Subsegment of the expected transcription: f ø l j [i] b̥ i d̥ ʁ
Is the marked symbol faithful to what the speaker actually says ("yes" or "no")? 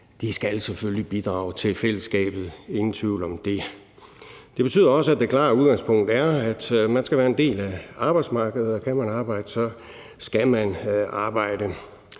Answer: yes